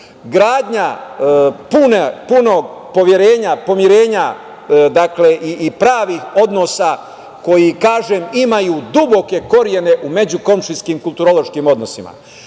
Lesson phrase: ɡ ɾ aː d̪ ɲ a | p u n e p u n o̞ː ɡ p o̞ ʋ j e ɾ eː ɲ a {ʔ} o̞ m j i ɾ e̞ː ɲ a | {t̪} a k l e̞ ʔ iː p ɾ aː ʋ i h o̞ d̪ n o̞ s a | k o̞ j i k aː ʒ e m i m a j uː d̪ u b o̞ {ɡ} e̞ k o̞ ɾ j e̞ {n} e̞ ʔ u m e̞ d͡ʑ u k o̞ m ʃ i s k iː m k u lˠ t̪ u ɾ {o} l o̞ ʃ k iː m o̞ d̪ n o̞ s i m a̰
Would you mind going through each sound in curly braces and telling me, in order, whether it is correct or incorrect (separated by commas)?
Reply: incorrect, incorrect, incorrect, correct, correct